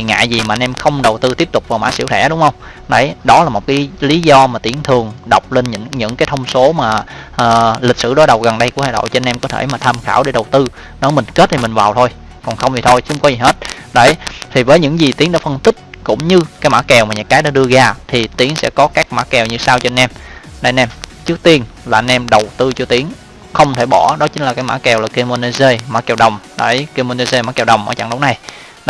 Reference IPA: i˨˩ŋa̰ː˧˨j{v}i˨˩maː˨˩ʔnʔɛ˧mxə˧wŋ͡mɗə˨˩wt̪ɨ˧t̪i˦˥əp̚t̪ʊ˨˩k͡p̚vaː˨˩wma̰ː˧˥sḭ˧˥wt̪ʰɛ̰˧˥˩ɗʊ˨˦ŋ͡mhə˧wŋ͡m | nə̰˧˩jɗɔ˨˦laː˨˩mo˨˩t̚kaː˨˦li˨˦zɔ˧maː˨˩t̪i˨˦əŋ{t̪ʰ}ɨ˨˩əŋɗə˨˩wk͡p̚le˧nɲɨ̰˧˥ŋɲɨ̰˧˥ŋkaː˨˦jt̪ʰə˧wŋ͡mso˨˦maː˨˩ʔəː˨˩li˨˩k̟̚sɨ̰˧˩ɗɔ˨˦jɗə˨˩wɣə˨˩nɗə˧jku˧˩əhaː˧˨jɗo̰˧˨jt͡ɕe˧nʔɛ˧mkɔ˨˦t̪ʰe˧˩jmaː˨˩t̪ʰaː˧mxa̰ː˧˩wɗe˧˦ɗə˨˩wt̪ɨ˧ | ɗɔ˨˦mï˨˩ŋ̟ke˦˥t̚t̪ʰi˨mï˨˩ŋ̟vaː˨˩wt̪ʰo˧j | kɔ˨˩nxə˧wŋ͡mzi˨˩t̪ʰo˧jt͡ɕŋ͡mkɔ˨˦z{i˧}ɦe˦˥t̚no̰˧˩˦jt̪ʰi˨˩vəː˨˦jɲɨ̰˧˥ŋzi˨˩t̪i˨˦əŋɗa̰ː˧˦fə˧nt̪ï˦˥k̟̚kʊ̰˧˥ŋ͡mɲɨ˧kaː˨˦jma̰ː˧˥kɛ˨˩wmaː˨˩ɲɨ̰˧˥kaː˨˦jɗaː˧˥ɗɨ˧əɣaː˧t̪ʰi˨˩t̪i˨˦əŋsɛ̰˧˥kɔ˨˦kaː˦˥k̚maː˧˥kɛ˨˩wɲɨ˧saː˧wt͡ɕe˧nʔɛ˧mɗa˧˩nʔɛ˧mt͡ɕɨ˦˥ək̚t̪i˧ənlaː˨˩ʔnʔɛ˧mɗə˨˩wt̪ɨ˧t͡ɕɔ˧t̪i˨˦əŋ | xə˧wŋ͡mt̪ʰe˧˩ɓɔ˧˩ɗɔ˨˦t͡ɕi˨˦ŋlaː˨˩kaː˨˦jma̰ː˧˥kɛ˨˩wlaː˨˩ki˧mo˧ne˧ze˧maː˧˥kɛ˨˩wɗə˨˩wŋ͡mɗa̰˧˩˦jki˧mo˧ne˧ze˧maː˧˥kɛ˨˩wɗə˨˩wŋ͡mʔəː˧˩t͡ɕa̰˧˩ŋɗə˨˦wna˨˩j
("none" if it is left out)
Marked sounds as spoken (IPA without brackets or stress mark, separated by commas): z, t̪ʰ, i˨˩